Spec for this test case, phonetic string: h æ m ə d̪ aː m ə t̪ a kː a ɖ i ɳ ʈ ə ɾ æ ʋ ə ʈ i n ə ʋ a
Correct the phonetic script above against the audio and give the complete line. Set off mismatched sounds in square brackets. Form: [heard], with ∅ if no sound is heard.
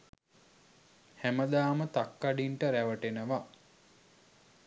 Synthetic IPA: h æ m ə d̪ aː m ə t̪ a kː a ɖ i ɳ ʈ ə ɾ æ ʋ ə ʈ [e] n ə ʋ a